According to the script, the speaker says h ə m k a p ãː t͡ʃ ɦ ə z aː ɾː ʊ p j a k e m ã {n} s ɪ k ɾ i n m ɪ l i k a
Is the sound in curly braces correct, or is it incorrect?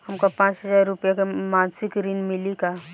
correct